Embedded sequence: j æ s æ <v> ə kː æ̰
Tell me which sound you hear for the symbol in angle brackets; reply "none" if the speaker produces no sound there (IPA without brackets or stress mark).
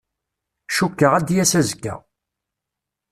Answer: z